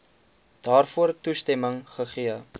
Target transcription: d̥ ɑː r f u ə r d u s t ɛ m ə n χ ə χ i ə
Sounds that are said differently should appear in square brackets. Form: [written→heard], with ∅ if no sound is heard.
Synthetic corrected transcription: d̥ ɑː r f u ə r [d→t] u s t ɛ m ə [n→ŋ] χ ə χ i ə

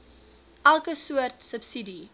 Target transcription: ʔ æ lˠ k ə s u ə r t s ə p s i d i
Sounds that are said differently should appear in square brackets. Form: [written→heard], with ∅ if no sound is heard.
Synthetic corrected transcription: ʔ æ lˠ k ə s u ə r t s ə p s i d i

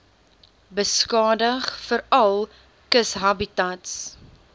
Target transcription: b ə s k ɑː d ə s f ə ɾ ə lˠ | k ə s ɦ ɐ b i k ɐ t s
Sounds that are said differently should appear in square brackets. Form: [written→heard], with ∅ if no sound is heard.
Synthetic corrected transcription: b ə s k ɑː d ə [s→χ] f ə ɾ [ə→ɐ] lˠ | k ə s ɦ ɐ b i [k→t] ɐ t s

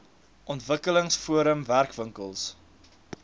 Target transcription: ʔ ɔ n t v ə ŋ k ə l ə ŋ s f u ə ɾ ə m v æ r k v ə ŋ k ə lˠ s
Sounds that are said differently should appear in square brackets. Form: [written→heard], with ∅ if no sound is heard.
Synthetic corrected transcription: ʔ ɔ n t v ə [ŋ→∅] k ə l ə ŋ s f u ə ɾ ə m v æ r k v ə ŋ k ə lˠ s

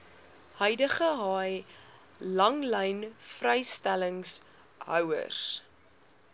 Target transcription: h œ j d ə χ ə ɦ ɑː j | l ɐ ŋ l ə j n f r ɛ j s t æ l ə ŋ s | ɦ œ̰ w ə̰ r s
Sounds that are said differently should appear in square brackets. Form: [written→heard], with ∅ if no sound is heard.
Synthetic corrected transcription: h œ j d ə χ ə ɦ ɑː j | l ɐ ŋ l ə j n f r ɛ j s t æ l ə ŋ s | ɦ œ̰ w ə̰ r s

